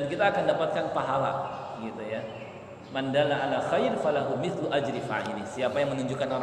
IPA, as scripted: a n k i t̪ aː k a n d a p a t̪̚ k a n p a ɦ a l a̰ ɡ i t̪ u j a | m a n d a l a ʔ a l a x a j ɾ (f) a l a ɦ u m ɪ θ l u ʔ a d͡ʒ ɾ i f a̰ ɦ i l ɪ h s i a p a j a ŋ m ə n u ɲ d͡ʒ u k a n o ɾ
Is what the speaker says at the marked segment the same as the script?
yes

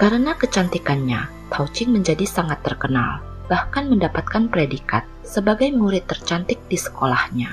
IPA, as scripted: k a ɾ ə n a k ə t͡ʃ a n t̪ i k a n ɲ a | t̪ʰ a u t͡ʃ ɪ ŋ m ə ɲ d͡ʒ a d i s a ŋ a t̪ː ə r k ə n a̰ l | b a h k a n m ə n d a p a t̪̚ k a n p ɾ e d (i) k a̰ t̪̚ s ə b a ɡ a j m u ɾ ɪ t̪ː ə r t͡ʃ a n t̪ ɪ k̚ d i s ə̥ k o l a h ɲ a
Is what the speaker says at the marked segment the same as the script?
yes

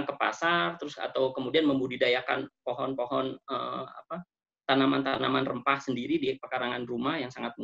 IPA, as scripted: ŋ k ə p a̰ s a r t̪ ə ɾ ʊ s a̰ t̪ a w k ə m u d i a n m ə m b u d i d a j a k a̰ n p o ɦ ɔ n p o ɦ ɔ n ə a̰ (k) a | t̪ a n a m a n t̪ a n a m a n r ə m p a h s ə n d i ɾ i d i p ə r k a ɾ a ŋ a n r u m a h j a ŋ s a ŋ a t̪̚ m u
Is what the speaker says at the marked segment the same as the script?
no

